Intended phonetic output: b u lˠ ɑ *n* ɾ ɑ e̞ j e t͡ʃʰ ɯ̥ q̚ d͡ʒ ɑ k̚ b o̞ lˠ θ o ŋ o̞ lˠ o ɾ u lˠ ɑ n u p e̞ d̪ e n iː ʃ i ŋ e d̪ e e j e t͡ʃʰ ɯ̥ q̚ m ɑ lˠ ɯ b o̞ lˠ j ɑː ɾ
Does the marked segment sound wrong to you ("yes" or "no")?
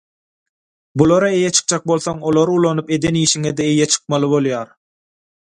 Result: yes